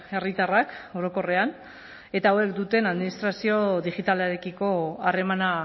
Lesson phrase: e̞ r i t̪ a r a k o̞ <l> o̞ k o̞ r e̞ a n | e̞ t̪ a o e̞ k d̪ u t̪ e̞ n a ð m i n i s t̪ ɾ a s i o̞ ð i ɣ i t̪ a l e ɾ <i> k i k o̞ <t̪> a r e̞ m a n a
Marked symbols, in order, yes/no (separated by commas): no, no, no